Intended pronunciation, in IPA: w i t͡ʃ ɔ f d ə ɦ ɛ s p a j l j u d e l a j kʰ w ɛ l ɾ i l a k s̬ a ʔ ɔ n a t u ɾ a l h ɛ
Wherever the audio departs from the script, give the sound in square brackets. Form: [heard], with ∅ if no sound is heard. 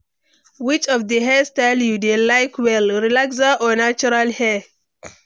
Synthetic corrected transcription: w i t͡ʃ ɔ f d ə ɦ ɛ s [t] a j l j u d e l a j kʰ w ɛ l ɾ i l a k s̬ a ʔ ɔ n a [t͡ʃ] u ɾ a l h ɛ